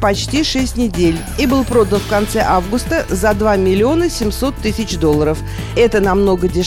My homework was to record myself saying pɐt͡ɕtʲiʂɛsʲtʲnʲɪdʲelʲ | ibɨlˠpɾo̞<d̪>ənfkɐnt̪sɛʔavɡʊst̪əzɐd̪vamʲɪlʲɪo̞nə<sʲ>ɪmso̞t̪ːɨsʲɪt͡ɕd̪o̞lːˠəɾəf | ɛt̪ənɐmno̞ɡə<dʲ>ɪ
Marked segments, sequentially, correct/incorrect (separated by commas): correct, correct, correct